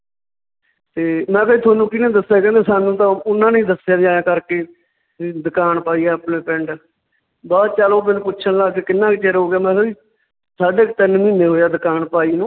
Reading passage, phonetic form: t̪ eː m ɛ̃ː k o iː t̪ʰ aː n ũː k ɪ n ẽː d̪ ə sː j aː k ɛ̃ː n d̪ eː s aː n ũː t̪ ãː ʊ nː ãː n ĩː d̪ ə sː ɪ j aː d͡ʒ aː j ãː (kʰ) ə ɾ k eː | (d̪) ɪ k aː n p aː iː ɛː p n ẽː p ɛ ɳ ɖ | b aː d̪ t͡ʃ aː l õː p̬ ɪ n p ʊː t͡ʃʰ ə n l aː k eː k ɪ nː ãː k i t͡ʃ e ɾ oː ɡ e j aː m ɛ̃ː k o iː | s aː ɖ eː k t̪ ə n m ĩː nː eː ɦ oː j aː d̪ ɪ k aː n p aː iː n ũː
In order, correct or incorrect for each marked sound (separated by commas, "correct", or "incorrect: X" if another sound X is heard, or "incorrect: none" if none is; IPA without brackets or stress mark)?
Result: incorrect: k, correct